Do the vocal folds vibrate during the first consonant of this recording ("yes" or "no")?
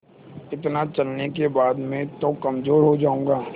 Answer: no